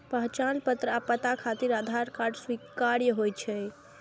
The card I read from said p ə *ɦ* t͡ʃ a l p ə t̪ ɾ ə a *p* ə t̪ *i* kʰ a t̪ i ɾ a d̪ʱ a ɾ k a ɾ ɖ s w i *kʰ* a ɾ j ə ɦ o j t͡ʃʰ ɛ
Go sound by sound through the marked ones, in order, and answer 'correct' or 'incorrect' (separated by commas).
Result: correct, correct, incorrect, incorrect